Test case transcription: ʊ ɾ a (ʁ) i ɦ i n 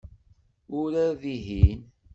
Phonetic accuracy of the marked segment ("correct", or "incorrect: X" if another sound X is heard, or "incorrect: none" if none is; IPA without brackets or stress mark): incorrect: ð